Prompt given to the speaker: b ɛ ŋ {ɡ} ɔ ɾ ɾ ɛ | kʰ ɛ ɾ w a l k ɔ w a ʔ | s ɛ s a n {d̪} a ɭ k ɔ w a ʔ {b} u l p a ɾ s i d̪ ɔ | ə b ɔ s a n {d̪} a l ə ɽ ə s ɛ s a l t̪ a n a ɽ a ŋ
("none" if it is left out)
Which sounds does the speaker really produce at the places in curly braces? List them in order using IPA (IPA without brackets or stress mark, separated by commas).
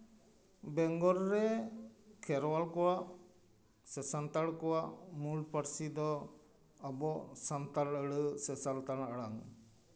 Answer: ɡ, t̪, m, t̪